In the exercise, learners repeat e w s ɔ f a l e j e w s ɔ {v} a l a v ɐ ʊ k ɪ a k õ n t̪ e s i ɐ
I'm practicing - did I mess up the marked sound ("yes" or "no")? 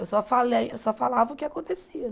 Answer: yes